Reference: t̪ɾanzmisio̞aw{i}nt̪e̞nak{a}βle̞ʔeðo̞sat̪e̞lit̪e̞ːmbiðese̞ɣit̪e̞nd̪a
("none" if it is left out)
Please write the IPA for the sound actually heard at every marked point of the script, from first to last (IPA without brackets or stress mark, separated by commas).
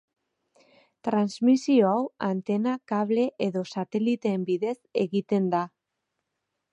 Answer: a, a